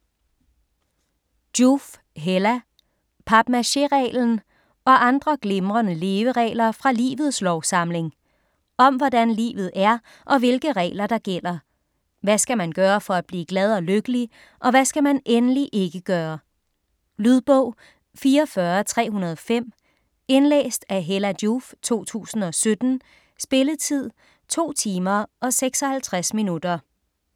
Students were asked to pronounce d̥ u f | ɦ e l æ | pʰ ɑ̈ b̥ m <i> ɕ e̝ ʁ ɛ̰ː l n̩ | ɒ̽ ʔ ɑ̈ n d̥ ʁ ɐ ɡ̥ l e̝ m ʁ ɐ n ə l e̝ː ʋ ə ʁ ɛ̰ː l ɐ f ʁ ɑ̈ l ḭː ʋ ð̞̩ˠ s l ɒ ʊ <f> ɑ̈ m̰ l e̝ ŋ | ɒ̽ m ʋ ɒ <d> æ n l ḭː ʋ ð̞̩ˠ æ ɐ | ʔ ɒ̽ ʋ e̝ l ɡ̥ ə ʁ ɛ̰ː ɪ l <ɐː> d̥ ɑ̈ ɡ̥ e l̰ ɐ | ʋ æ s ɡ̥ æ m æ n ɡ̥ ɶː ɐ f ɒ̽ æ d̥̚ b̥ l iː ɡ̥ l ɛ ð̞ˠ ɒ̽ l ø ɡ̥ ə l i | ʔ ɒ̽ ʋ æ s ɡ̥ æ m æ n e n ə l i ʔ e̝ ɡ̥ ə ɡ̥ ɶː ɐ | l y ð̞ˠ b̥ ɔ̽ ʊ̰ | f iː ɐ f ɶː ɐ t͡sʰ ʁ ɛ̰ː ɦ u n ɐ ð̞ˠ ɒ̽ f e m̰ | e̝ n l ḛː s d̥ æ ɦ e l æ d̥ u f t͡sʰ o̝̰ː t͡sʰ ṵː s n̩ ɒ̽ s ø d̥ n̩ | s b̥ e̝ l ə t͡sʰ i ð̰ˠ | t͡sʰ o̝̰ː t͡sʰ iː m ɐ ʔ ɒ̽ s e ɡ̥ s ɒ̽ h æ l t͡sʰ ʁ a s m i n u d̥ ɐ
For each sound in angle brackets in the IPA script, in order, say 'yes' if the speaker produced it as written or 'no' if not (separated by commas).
no, no, yes, no